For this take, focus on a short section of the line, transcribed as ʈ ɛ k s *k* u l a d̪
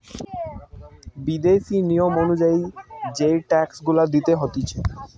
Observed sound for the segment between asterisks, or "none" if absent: ɡ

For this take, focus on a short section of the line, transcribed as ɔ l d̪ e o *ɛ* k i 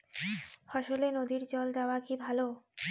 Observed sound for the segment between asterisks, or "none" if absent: a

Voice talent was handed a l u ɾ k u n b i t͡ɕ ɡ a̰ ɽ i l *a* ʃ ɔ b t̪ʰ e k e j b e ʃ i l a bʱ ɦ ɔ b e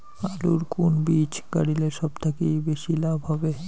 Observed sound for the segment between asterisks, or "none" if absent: e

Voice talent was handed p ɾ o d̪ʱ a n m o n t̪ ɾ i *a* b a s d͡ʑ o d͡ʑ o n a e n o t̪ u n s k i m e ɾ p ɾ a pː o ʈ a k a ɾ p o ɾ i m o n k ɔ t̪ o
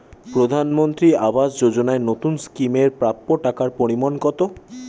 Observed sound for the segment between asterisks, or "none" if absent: a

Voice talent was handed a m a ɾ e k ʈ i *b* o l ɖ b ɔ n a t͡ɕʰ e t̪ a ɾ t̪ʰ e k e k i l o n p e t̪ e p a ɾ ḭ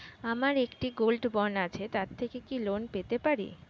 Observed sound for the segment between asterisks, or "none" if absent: ɡ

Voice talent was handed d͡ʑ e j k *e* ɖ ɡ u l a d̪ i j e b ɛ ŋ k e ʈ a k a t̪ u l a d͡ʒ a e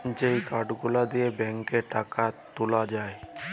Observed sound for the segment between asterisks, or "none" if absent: a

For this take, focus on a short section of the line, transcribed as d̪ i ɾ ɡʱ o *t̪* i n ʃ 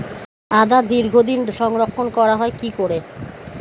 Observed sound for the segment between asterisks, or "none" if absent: d̪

